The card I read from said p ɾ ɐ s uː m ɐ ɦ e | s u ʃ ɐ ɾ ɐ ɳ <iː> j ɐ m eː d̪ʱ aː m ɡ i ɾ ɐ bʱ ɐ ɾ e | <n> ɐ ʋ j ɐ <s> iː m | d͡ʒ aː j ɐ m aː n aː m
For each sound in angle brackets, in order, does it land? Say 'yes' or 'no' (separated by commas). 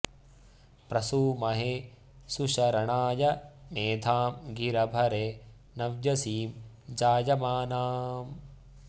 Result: no, yes, yes